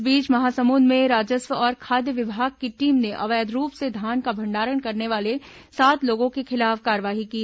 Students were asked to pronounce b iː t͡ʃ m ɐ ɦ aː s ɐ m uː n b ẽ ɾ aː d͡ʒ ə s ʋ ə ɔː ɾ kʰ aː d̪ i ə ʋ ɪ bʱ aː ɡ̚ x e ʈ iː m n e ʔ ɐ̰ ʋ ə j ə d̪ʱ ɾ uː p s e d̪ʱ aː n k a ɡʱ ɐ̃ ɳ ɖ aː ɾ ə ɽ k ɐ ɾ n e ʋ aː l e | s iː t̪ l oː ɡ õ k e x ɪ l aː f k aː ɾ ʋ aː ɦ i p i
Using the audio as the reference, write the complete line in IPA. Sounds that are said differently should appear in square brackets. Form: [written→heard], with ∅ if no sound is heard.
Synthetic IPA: b iː t͡ʃ m ɐ ɦ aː s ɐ m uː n [b→m] ẽ ɾ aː d͡ʒ ə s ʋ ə ɔː ɾ kʰ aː d̪ [i→j] ə ʋ ɪ bʱ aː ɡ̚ [x→k] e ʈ iː m n e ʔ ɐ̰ ʋ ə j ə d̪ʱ ɾ uː p s e d̪ʱ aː n k a [ɡʱ→bʱ] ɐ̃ ɳ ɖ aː ɾ ə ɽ k ɐ ɾ n e ʋ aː l e | s [iː→aː] t̪ l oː ɡ õ k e x ɪ l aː f k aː ɾ ʋ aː ɦ i [p→k] i